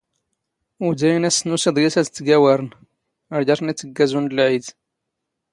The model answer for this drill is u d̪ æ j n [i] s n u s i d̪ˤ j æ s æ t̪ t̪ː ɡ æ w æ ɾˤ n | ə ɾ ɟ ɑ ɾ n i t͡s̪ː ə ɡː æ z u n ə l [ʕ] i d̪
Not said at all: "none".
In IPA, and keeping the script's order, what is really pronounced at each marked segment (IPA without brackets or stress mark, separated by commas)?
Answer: æ, ʕ